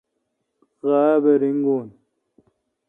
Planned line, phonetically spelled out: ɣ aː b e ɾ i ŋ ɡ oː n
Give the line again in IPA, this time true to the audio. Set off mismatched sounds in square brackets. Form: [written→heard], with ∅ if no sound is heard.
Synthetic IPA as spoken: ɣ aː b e ɾ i ŋ ɡ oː n